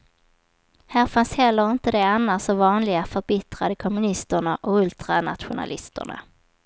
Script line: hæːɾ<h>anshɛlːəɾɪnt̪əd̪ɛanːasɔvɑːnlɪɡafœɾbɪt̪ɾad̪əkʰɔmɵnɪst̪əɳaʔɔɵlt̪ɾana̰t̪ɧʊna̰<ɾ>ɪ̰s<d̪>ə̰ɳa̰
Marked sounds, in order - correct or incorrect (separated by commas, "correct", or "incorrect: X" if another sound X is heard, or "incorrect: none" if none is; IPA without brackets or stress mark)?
incorrect: f, incorrect: l, incorrect: t̪